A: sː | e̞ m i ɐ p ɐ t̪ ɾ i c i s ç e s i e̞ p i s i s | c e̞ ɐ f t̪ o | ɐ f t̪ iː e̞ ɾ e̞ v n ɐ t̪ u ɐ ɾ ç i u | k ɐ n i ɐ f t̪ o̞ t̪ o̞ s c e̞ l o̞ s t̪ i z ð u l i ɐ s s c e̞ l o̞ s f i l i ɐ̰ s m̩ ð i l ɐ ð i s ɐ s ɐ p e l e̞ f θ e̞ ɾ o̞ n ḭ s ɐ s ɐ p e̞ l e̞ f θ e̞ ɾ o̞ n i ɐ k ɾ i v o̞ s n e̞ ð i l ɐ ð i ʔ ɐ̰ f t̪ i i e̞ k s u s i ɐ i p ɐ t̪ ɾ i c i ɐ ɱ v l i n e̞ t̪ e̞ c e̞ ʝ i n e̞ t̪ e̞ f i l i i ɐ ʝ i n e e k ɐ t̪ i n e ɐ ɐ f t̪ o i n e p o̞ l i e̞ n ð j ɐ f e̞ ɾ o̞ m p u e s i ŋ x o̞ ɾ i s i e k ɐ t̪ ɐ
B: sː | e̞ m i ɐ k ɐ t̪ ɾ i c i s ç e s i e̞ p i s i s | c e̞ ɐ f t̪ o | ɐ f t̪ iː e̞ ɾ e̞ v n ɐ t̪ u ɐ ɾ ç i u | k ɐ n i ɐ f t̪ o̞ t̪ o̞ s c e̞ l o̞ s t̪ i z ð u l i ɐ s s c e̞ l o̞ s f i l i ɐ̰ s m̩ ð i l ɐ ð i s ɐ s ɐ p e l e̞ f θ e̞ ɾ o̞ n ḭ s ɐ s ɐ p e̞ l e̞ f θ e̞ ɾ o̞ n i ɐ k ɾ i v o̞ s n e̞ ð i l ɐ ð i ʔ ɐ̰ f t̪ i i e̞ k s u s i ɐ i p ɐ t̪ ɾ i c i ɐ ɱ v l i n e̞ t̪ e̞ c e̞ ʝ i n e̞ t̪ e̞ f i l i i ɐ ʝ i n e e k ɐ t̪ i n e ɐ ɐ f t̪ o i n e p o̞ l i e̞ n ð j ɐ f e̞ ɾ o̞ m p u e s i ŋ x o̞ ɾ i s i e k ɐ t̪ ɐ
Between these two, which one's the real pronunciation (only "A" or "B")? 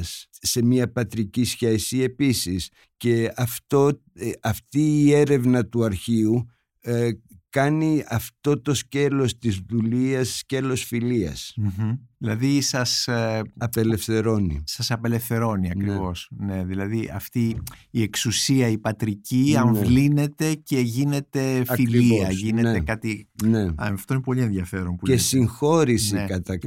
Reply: A